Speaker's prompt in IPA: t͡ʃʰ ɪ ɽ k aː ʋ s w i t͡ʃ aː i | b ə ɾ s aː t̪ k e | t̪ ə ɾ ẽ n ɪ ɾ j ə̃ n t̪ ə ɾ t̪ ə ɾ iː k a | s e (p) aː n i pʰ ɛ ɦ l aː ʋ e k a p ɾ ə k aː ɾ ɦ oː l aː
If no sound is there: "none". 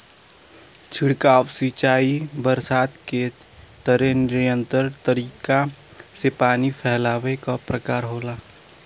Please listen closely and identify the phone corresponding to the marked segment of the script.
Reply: p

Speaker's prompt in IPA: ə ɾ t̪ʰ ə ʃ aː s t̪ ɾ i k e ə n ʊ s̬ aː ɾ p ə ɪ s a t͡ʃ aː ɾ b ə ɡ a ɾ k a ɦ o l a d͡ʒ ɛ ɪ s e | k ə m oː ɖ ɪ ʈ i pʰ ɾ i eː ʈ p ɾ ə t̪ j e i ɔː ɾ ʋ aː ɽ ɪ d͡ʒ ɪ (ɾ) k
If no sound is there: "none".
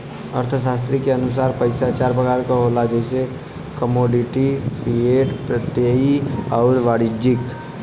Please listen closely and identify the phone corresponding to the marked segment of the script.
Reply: none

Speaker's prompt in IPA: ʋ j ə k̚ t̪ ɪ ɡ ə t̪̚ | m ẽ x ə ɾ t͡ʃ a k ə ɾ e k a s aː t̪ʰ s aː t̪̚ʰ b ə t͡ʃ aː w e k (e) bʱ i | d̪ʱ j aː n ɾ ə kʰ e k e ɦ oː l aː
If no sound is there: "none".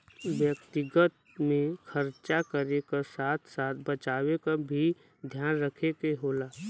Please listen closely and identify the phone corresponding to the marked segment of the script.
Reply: a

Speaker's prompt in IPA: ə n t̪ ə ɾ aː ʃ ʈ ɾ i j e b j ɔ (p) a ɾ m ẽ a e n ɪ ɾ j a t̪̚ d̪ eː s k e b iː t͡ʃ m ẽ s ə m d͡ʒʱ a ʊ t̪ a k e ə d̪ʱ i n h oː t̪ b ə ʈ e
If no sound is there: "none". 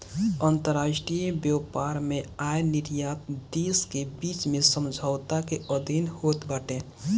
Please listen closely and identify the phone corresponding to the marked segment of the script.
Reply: p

